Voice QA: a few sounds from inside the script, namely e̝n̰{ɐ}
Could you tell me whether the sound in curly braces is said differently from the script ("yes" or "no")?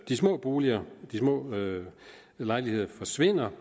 no